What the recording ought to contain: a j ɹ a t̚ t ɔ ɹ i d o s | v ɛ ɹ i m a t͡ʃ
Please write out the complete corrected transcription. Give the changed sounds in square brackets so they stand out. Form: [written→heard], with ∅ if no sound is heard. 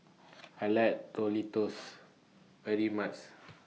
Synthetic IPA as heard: a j [ɹ→l] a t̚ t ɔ [ɹ→l] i [d→t] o s | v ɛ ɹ i m a t͡ʃ